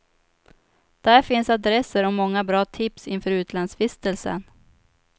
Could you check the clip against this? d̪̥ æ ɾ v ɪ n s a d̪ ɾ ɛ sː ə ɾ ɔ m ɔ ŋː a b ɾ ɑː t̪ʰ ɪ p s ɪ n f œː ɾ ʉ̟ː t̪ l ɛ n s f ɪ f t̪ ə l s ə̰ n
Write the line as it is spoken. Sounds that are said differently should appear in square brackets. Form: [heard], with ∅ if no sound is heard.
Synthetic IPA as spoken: d̪̥ æ ɾ [f] ɪ n s a d̪ ɾ ɛ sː ə ɾ ɔ m ɔ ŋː a b ɾ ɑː t̪ʰ ɪ p s ɪ n f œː ɾ ʉ̟ː t̪ l [a] n s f ɪ [s] t̪ ə l s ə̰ n

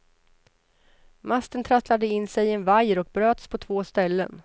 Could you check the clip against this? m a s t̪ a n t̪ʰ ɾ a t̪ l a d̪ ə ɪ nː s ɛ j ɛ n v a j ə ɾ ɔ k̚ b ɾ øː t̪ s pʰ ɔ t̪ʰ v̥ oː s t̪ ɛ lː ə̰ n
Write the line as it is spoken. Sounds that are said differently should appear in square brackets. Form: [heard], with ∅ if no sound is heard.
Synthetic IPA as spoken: m a s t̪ [ə] n t̪ʰ ɾ a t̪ l a d̪ ə ɪ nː s ɛ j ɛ n v a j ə ɾ ɔ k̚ b ɾ øː t̪ s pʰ ɔ t̪ʰ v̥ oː s t̪ ɛ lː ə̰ n

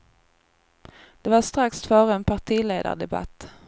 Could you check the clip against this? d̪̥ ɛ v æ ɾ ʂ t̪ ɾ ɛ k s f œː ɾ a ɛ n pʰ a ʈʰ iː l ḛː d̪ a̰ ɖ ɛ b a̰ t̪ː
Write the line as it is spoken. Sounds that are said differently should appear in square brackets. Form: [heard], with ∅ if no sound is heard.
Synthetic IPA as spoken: d̪̥ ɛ v [a] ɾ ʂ t̪ ɾ [a] k s f œː ɾ [ə] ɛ n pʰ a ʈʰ iː l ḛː d̪ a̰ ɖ ɛ b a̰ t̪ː

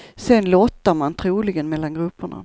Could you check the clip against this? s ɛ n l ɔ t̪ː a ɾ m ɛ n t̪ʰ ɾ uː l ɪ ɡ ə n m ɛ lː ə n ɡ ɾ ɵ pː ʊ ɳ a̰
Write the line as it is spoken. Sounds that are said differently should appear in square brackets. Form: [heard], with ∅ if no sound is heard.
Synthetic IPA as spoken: s ɛ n l ɔ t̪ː a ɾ m [a] n t̪ʰ ɾ uː l ɪ ɡ ə n m ɛ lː [a] n ɡ ɾ ɵ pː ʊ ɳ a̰

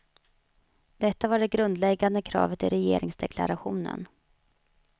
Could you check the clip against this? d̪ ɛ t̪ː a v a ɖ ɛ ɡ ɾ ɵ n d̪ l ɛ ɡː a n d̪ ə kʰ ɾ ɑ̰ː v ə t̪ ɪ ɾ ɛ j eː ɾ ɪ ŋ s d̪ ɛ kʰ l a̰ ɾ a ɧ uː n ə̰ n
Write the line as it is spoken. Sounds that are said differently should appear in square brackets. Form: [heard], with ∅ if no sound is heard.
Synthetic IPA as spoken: d̪ ɛ t̪ː a v a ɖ ɛ ɡ ɾ ɵ n d̪ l ɛ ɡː a n d̪ ə kʰ ɾ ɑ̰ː v ə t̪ ɪ ɾ ɛ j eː ɾ ɪ ŋ s d̪ ɛ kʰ l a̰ ɾ a ɧ uː n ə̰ n

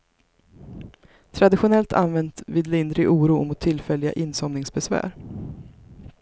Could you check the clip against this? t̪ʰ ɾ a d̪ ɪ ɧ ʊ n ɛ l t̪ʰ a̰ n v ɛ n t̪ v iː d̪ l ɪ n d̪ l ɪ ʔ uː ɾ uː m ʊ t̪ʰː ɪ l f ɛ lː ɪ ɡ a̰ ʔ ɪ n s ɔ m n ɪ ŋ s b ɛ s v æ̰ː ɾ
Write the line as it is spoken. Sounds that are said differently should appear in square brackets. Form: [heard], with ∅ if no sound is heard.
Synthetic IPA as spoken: t̪ʰ ɾ a d̪ ɪ ɧ ʊ n ɛ l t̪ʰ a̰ n v ɛ n t̪ v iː d̪ l ɪ n d̪ [ɾ] ɪ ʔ uː ɾ uː m ʊ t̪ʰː ɪ l f ɛ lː ɪ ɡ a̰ ʔ ɪ n s ɔ m n ɪ ŋ s b ɛ s v æ̰ː ɾ

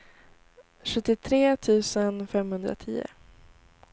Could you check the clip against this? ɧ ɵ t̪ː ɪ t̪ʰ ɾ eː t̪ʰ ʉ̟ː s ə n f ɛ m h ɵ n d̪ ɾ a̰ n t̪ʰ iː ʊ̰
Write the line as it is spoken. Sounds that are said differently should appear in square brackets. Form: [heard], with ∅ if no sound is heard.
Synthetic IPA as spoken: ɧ ɵ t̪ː ɪ t̪ʰ ɾ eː t̪ʰ ʉ̟ː s ə n f ɛ m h ɵ n d̪ ɾ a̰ [∅] t̪ʰ iː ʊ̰

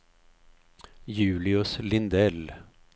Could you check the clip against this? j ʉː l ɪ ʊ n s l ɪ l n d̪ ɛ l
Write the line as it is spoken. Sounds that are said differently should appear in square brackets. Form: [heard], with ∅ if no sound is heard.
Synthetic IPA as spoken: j ʉː l ɪ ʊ [∅] s l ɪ [∅] n d̪ ɛ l

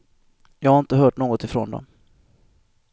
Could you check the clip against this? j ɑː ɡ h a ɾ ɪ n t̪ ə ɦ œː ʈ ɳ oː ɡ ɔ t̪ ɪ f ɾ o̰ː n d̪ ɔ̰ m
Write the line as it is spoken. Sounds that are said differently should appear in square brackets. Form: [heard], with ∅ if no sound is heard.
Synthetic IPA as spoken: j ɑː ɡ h a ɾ ɪ n t̪ ə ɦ œː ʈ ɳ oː ɡ ɔ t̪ ɪ f ɾ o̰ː n d̪ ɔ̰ m

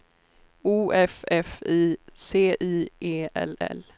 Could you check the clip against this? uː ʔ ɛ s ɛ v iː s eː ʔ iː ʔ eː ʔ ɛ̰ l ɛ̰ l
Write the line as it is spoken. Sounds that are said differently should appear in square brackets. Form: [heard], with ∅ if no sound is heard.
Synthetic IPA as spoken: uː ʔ ɛ [f] ɛ [f] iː s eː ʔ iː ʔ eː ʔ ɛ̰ l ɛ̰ l

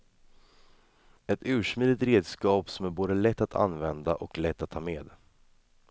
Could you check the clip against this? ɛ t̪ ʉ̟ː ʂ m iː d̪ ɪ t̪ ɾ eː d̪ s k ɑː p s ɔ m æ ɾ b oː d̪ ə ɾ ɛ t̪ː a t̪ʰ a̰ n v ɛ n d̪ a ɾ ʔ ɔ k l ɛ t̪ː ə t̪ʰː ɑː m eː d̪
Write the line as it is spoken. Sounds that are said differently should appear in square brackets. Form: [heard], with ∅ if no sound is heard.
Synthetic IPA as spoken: ɛ t̪ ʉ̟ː ʂ m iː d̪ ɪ t̪ ɾ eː d̪ s k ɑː p s ɔ m æ ɾ b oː d̪ ə [l] ɛ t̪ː a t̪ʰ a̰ n v ɛ n d̪ a [∅] ʔ ɔ k l ɛ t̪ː [a] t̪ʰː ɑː m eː d̪

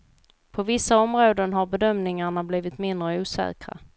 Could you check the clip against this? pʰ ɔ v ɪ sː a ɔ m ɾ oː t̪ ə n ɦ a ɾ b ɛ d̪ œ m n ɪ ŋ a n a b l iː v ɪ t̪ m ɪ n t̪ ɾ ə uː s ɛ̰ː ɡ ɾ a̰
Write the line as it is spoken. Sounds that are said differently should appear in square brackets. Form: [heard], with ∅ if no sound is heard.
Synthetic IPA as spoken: pʰ ɔ v ɪ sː a ɔ m ɾ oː [d̪] ə n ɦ a ɾ b ɛ d̪ œ m n ɪ ŋ a [ɳ] a b l iː v ɪ t̪ m ɪ n [d̪] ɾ ə uː s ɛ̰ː [k] ɾ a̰

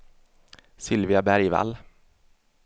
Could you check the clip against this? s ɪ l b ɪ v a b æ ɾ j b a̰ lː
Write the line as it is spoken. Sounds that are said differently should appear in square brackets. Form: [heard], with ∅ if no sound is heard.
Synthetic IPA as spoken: s ɪ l [v] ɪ [∅] a b æ ɾ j [v] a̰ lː

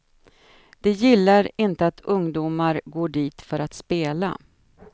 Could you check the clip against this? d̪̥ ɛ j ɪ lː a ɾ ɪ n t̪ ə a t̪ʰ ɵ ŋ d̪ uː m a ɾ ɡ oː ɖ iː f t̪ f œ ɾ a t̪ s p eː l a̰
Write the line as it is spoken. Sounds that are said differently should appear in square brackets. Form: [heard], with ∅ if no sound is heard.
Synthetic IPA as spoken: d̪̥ ɛ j ɪ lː a ɾ ɪ n t̪ ə a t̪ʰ ɵ ŋ d̪ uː m a ɾ ɡ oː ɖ iː [∅] t̪ f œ ɾ a t̪ s p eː l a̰

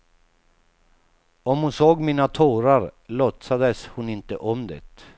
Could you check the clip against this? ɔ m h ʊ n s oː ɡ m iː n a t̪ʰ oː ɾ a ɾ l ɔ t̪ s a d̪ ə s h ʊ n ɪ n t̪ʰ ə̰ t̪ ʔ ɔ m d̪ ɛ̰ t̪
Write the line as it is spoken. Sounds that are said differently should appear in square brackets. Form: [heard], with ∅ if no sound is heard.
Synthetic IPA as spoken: ɔ m h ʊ n s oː ɡ m iː n a t̪ʰ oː ɾ a ɾ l ɔ t̪ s a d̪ ə s h ʊ n ɪ n [t̪] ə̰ [∅] ʔ ɔ m d̪ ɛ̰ t̪

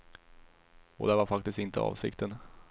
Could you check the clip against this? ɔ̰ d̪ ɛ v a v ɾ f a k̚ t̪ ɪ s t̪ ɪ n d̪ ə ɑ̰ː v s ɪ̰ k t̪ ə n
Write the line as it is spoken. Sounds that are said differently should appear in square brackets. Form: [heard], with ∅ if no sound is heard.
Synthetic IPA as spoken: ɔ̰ d̪ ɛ v a [∅] ɾ f a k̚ t̪ ɪ s t̪ ɪ n [t̪] ə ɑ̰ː v s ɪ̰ k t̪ ə n

